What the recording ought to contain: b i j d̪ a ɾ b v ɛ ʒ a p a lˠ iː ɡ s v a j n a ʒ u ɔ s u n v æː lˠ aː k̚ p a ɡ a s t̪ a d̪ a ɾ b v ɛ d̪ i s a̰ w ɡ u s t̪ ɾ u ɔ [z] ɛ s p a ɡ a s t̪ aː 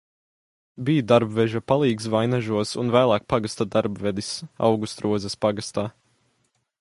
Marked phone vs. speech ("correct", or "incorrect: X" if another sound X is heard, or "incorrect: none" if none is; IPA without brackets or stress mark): correct